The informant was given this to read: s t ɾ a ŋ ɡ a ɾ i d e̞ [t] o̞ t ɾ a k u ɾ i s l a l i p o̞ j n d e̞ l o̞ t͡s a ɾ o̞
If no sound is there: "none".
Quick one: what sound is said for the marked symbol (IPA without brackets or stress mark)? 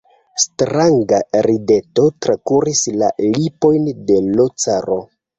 t